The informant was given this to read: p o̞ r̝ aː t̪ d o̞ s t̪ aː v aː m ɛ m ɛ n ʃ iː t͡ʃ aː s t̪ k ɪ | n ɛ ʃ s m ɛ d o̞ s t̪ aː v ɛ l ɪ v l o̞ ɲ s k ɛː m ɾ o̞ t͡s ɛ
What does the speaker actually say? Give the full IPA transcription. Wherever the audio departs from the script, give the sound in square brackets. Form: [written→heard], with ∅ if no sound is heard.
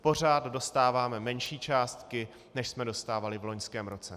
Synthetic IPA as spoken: p o̞ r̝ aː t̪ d o̞ s t̪ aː v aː m ɛ m ɛ n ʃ iː t͡ʃ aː s t̪ k ɪ | n ɛ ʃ s m ɛ d o̞ s t̪ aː v [ɛ→a] l ɪ v l o̞ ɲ s k ɛː m ɾ o̞ t͡s ɛ